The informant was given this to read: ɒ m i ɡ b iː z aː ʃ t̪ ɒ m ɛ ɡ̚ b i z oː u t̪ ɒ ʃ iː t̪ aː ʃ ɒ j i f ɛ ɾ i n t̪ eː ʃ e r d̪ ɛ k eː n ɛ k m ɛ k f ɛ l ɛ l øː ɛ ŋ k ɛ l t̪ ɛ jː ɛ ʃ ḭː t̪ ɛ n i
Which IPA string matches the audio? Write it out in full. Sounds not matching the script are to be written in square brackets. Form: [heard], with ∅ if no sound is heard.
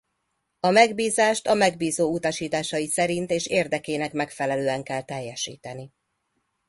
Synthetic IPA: ɒ m [ɛ] ɡ b iː z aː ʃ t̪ ɒ m ɛ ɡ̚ b [iː] z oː u t̪ ɒ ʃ iː t̪ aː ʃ ɒ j i [s] ɛ ɾ i n t̪ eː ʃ e r d̪ ɛ k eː n ɛ k m ɛ k f ɛ l ɛ l øː ɛ ŋ k ɛ l t̪ ɛ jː ɛ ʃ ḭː t̪ ɛ n i